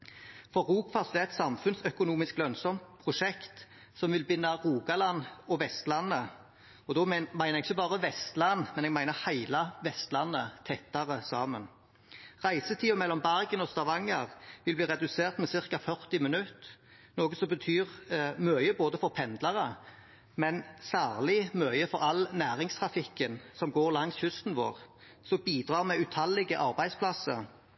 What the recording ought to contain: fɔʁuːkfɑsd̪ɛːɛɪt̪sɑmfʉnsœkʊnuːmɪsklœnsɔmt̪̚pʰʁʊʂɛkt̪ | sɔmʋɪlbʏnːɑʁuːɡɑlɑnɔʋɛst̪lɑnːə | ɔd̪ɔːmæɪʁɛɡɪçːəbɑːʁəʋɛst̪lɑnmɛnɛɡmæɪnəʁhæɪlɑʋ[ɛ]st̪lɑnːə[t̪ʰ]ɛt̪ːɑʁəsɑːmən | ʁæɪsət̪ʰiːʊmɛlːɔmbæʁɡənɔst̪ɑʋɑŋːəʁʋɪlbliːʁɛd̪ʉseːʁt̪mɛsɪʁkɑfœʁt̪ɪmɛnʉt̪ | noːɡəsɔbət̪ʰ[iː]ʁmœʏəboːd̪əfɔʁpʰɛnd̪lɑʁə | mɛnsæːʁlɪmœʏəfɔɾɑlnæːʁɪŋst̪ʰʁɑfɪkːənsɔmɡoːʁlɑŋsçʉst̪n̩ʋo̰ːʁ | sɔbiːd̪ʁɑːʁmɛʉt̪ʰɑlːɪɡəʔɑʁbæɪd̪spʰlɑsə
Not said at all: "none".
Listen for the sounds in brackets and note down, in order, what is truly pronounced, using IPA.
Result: ɛ, t̪ʰ, yː

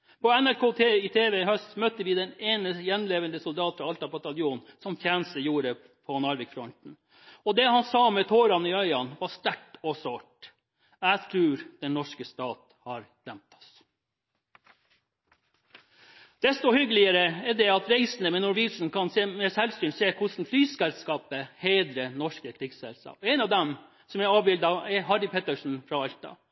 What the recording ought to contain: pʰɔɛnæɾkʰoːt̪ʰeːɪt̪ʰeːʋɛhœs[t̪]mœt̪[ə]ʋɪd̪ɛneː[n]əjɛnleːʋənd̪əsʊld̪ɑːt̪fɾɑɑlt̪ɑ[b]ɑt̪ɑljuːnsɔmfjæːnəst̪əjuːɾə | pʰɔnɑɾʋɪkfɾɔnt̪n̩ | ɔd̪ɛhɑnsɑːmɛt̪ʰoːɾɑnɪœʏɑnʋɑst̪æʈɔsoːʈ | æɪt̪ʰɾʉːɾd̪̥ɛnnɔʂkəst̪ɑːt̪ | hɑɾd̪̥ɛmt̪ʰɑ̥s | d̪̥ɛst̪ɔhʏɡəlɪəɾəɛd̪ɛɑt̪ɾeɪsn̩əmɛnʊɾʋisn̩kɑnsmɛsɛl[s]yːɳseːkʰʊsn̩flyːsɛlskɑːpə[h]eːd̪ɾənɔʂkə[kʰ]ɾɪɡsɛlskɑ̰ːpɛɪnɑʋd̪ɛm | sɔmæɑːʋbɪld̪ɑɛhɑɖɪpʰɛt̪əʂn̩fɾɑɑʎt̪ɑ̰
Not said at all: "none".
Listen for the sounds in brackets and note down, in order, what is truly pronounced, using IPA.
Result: t̪, ə, n, b, s, h, kʰ

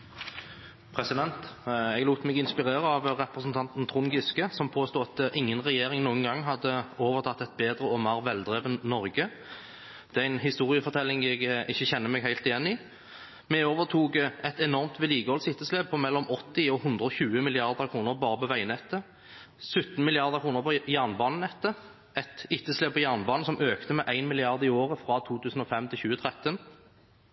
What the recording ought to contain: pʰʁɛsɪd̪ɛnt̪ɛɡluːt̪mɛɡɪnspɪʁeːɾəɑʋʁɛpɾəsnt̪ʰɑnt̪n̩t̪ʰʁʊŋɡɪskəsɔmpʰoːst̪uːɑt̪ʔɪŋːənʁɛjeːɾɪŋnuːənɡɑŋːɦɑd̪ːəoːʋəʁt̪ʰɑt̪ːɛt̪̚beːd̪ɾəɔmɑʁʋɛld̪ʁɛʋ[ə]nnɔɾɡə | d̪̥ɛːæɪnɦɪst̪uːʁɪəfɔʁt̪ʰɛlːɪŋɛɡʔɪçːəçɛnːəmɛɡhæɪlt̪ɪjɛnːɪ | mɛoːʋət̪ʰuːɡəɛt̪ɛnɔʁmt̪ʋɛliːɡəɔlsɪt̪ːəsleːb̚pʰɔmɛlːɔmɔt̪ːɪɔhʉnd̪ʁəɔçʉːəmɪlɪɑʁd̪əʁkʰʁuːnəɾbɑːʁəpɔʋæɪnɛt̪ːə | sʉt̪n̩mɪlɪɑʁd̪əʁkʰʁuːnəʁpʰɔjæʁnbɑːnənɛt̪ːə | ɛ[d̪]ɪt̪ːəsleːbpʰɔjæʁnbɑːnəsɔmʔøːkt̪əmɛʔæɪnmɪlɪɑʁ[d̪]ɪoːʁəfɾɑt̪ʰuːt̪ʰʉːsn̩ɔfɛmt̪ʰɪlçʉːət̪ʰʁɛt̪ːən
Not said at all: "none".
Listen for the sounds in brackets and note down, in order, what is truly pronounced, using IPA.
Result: ə, t̪, d̪

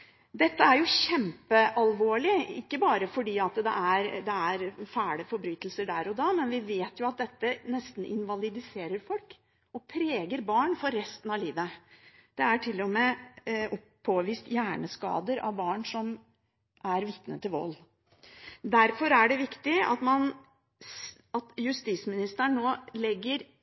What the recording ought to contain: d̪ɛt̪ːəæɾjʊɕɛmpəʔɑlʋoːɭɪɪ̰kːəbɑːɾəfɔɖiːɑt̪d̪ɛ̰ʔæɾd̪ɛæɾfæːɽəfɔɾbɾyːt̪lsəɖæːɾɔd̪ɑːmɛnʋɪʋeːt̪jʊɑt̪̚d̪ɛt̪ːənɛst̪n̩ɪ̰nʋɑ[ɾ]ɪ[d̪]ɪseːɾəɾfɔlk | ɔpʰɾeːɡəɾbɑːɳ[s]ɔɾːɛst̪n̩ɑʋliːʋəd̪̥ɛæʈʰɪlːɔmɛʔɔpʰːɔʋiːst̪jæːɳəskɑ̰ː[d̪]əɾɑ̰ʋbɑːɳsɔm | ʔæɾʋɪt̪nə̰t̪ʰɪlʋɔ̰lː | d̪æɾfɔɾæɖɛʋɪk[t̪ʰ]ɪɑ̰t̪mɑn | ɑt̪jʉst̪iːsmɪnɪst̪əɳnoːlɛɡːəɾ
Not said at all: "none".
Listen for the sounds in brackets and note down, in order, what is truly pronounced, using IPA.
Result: l, d̪, f, d̪, t̪

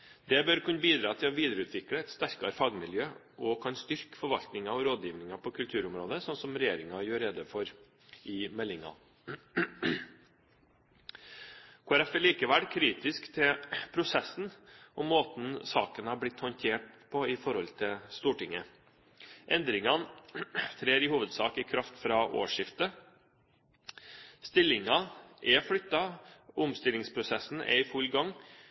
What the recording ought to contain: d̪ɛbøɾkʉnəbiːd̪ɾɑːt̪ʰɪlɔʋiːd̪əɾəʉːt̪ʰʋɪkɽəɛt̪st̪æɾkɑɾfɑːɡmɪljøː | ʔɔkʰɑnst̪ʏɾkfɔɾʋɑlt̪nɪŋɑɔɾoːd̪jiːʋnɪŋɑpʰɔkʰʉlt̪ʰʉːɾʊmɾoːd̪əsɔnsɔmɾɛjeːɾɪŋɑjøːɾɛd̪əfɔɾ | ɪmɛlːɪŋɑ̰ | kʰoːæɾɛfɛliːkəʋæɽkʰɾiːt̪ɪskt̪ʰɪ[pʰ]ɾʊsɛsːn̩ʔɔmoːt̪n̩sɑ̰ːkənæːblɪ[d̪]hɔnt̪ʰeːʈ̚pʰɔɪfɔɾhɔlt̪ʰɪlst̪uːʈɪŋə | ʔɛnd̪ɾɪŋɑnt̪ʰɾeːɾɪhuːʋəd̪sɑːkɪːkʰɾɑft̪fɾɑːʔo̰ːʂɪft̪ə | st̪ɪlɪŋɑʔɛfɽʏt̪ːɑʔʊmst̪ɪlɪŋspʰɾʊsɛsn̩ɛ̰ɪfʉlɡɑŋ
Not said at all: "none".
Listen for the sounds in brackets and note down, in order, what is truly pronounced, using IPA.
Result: pʰ, t̪

